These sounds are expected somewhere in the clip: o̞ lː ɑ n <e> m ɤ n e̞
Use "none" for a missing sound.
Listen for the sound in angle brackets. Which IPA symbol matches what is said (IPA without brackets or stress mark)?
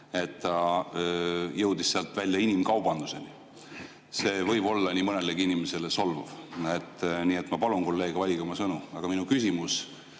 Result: i